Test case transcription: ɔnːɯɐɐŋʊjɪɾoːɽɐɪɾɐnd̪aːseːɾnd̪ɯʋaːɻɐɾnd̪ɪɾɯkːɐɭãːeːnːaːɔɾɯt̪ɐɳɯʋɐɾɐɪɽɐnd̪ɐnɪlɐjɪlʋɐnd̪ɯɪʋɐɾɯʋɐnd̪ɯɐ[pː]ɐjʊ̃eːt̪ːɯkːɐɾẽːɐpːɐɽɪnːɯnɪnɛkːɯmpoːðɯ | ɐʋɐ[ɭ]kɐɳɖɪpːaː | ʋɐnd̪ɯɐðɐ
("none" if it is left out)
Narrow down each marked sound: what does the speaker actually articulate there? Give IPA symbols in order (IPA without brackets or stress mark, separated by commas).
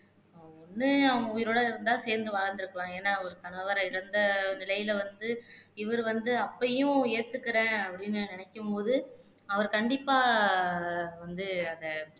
pː, ɾ